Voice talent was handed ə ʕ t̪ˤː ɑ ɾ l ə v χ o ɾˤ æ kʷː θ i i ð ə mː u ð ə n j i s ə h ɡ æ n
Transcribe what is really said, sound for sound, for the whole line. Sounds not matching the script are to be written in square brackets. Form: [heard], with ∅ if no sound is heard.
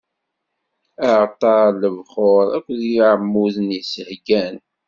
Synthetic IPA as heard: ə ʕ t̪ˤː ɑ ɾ l ə v χ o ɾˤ æ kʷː [ð] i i [ʕ] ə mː u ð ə n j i s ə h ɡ æ n